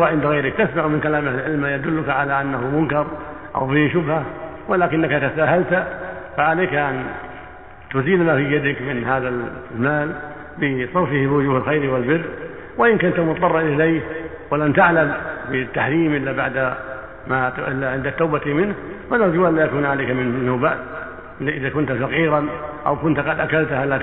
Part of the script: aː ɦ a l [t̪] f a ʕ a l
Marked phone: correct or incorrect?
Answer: correct